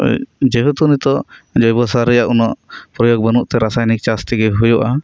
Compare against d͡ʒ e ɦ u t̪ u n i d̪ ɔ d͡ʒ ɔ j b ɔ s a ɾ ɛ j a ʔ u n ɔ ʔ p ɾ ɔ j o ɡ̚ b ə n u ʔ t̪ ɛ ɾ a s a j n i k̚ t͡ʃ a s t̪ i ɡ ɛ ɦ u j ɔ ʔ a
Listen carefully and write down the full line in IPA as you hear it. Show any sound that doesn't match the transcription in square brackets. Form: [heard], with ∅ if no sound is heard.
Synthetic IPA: d͡ʒ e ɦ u t̪ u n i [t̪] ɔ d͡ʒ ɔ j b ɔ s a ɾ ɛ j a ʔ u n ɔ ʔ p ɾ ɔ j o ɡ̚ b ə n u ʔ t̪ ɛ ɾ a s a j n i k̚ t͡ʃ a s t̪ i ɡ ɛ ɦ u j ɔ ʔ a